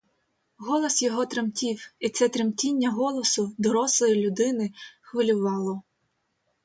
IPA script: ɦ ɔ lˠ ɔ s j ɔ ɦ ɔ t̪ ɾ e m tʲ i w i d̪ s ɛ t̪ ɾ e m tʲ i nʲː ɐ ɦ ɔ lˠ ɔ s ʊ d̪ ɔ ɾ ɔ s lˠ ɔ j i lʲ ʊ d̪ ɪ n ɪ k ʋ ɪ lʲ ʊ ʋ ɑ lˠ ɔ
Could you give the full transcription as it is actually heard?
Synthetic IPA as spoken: ɦ ɔ lˠ ɔ s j ɔ ɦ ɔ t̪ ɾ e m tʲ i w i t̪ s ɛ t̪ ɾ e m tʲ i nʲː ɐ ɦ ɔ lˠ ɔ s ʊ d̪ ɔ ɾ ɔ s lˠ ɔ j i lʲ ʊ d̪ ɪ n ɪ x ʋ ɪ lʲ ʊ ʋ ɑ lˠ ɔ